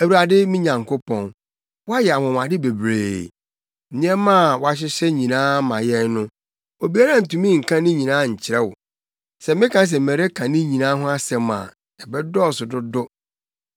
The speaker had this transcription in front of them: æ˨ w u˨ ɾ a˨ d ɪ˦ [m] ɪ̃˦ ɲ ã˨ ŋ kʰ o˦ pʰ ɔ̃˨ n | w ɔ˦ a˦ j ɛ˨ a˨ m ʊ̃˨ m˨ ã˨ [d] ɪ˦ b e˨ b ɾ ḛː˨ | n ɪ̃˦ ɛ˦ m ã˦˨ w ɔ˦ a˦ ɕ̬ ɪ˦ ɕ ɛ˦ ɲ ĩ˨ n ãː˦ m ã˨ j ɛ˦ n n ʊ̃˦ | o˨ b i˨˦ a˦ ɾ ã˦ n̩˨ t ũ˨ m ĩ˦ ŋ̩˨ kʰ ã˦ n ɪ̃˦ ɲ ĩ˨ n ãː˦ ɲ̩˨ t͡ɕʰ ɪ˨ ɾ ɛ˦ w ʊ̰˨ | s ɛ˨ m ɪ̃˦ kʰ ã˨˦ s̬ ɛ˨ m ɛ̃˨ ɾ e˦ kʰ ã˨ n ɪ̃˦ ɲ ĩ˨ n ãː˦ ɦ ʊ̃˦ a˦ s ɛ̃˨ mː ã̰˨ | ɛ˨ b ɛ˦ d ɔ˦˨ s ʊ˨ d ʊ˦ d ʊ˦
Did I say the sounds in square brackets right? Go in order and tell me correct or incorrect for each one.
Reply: correct, correct

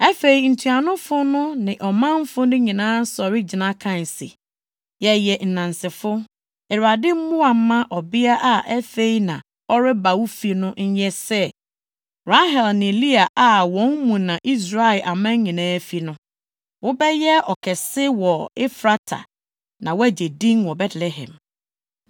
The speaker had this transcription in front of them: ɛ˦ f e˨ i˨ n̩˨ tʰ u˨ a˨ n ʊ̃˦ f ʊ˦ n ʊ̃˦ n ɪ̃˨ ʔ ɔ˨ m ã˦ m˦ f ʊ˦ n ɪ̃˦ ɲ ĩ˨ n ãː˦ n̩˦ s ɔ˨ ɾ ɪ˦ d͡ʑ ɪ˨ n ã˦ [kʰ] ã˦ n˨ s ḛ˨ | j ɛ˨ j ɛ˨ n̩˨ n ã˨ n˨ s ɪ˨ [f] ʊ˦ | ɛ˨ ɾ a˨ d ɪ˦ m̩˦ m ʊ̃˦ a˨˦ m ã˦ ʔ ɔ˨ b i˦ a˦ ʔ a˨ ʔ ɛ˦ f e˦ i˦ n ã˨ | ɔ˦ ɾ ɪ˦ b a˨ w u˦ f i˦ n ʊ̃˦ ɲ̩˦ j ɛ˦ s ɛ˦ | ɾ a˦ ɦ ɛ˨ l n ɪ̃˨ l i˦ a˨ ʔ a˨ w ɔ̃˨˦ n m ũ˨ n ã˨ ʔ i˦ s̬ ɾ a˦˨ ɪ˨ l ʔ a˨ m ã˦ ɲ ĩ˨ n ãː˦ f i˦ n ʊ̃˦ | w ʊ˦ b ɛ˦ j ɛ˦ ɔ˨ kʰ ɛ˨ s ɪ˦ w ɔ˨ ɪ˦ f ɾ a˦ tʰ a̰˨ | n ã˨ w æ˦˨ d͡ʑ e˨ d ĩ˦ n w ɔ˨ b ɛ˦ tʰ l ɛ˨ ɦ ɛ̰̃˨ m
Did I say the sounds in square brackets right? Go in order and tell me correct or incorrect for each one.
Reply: correct, correct

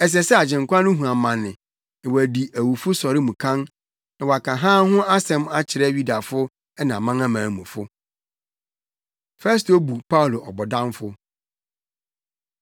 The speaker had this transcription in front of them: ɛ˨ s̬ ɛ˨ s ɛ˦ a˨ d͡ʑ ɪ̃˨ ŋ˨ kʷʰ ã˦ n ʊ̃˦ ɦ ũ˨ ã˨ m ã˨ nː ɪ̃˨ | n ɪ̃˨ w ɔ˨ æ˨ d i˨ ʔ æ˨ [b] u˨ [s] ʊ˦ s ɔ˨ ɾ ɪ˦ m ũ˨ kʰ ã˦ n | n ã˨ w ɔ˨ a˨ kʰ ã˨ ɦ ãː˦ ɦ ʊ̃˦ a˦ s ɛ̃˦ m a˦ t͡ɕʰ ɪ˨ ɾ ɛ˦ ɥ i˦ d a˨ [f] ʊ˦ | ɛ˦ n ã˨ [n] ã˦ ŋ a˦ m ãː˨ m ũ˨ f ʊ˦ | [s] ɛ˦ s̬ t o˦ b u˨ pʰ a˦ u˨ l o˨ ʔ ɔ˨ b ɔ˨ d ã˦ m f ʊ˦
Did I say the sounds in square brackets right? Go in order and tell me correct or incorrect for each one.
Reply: incorrect: w, incorrect: f, correct, incorrect: m, incorrect: f

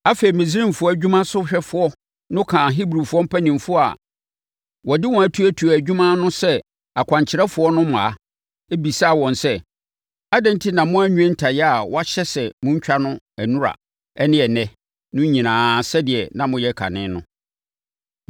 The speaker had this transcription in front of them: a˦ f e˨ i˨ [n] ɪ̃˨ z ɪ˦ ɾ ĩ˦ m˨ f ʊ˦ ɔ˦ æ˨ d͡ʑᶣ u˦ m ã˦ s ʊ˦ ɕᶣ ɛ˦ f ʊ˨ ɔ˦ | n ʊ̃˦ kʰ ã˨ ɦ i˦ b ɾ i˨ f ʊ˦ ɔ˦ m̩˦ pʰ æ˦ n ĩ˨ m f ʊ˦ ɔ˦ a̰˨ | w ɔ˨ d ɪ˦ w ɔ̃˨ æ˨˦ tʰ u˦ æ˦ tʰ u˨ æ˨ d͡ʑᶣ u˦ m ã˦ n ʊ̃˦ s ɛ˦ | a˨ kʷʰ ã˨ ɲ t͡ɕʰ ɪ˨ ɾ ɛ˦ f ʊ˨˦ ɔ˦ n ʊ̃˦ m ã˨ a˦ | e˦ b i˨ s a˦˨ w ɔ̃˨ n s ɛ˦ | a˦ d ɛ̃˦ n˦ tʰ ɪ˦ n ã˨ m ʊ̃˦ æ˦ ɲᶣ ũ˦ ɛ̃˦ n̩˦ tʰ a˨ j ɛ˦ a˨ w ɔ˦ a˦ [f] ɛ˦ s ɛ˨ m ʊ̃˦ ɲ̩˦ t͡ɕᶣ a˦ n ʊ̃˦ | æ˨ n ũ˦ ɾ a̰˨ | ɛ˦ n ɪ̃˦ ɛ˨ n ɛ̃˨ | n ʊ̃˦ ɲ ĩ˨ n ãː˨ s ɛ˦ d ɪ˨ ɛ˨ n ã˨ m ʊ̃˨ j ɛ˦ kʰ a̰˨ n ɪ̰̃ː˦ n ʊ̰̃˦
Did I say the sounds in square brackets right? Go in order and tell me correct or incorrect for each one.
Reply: incorrect: m, incorrect: ɕ

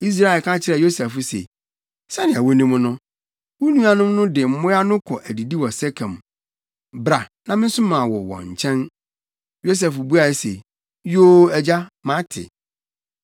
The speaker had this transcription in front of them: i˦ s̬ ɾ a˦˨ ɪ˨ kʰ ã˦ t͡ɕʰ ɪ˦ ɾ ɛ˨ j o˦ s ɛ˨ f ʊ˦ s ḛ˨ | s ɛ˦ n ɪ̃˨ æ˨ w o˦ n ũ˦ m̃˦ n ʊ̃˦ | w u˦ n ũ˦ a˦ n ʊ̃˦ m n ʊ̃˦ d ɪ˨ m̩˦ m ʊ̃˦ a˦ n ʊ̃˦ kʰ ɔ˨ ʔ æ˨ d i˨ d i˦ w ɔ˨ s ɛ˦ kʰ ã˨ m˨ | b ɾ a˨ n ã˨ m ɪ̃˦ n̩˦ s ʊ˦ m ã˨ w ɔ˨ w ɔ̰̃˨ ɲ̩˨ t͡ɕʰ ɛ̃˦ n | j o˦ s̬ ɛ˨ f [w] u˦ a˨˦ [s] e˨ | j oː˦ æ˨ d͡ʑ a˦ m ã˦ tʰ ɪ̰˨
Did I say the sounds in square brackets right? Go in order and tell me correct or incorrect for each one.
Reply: incorrect: b, correct

